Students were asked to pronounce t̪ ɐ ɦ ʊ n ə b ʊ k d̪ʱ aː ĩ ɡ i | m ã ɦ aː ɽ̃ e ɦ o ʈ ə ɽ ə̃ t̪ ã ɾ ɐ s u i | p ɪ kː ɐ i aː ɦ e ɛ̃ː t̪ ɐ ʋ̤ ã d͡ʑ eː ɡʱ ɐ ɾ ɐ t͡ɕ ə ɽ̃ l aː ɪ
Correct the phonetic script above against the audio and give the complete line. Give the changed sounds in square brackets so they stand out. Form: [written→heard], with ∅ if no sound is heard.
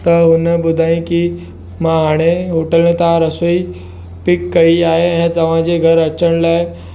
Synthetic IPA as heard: t̪ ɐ ɦ ʊ n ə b ʊ [k→∅] d̪ʱ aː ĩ [ɡ→k] i | m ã ɦ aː ɽ̃ e ɦ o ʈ ə [ɽ→l] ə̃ t̪ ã ɾ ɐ s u i | p ɪ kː ɐ i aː ɦ e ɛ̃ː t̪ ɐ ʋ̤ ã d͡ʑ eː ɡʱ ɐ ɾ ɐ t͡ɕ ə ɽ̃ l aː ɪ